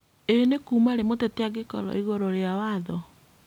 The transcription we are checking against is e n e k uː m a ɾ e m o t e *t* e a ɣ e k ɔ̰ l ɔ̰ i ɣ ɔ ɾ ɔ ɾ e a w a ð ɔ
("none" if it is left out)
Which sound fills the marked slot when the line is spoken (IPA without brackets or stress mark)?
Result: t